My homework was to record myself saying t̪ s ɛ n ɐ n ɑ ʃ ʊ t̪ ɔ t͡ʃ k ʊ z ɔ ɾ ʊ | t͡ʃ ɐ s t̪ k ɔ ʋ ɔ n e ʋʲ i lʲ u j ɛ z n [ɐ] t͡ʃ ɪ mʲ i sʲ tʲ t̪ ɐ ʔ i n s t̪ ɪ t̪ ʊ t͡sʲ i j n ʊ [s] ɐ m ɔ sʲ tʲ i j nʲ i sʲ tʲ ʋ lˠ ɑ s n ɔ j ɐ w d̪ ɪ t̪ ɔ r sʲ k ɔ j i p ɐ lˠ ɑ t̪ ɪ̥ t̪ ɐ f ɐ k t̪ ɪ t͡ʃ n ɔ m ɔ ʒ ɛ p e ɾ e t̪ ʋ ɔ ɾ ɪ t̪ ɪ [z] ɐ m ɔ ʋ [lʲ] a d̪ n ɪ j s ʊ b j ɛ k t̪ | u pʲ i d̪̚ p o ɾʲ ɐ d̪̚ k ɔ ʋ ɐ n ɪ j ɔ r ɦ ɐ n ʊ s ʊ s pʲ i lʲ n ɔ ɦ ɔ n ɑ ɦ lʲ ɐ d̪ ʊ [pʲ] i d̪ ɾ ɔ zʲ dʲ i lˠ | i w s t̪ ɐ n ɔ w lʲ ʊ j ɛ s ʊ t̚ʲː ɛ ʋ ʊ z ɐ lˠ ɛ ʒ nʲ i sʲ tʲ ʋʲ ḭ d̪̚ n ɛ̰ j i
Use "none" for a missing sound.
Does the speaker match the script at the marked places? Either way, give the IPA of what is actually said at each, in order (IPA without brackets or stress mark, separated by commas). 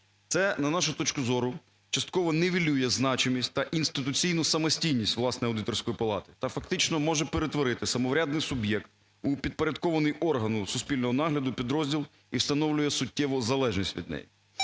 ɑ, s, s, ɾʲ, pʲ